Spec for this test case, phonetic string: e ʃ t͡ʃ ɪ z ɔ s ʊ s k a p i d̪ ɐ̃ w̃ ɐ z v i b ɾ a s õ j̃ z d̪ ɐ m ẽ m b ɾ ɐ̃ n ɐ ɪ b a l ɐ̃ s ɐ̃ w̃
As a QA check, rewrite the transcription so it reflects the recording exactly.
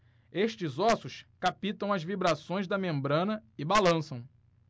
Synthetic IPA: e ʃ t͡ʃ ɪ z ɔ s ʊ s k a p i t̪ ɐ̃ w̃ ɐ z v i b ɾ a s õ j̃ z d̪ ɐ m ẽ m b ɾ ɐ̃ n ɐ ɪ b a l ɐ̃ s ɐ̃ w̃